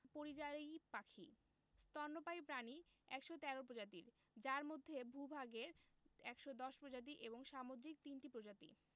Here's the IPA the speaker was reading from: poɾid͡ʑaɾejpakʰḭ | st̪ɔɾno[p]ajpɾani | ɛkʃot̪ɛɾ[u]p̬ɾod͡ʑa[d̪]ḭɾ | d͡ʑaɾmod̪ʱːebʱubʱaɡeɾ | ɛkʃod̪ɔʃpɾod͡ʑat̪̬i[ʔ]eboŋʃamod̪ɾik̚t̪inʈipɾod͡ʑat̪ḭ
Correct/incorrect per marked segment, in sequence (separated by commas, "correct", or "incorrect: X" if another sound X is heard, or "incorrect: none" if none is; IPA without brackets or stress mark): correct, incorrect: o, incorrect: t̪, correct